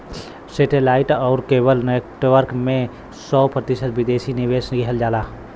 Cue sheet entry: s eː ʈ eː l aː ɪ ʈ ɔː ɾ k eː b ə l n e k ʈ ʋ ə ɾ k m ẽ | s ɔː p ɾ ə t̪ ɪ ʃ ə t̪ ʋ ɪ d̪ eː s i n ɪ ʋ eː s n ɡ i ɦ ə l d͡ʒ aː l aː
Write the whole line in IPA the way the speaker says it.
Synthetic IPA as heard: s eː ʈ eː l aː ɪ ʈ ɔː ɾ k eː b ə l n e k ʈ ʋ ə ɾ k m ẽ | s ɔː p ɾ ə t̪ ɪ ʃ ə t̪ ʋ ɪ d̪ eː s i n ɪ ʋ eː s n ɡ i ɦ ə l d͡ʒ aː l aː